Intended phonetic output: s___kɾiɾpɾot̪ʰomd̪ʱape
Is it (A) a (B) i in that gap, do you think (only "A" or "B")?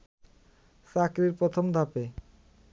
A